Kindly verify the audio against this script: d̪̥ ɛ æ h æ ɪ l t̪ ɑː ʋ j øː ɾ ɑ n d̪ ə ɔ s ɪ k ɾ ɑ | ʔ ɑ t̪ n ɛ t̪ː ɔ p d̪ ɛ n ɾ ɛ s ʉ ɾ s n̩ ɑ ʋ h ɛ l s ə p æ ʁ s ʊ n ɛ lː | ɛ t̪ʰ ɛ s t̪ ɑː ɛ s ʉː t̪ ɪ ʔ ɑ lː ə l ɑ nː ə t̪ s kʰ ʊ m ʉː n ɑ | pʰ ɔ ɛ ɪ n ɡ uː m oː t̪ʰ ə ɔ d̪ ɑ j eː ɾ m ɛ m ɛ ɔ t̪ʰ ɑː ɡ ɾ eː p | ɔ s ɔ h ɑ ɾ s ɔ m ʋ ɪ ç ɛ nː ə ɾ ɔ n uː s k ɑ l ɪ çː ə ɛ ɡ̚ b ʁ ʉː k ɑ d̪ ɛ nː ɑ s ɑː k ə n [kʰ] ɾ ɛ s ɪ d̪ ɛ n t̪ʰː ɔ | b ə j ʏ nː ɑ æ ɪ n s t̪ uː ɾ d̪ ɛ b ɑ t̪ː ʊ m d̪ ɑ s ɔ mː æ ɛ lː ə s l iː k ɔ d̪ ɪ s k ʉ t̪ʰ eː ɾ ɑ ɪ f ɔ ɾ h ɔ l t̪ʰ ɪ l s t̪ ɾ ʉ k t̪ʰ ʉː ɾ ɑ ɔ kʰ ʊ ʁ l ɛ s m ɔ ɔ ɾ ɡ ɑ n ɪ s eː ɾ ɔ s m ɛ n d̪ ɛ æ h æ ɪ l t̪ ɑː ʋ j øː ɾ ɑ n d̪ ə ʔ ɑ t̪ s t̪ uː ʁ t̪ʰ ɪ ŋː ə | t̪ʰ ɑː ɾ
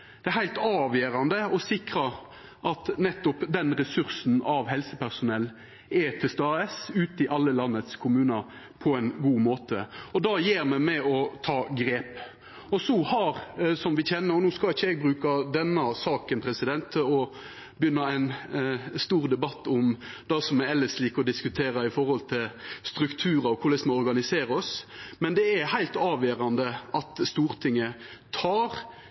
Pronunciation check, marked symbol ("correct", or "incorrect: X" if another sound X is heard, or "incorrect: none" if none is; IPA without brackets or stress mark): incorrect: pʰ